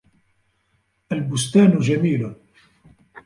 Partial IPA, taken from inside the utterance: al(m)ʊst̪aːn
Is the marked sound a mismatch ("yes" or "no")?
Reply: yes